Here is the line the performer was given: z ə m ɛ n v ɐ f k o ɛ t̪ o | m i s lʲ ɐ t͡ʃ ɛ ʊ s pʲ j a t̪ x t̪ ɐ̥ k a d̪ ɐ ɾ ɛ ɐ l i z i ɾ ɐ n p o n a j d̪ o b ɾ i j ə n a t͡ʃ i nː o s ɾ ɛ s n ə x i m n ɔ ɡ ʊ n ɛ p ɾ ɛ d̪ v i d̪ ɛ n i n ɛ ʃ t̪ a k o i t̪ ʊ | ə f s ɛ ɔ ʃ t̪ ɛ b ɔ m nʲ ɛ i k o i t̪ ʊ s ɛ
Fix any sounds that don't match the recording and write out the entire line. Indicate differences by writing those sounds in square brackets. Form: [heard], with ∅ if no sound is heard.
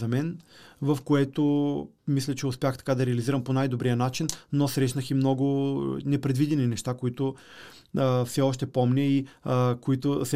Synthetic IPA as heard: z [ɐ] m ɛ n v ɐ f k o ɛ t̪ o | m i s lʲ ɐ t͡ʃ ɛ ʊ s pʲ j a [∅] x t̪ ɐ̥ k a d̪ ɐ ɾ ɛ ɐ l i z i ɾ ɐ [m] p o n a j d̪ o b ɾ i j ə n a t͡ʃ i nː o s ɾ ɛ [ʃ] n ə x i m n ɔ ɡ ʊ n ɛ p ɾ ɛ d̪ v i d̪ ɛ n i n ɛ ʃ t̪ a k o i t̪ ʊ | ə f s ɛ ɔ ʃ t̪ ɛ [p] ɔ m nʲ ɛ i k o i t̪ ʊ s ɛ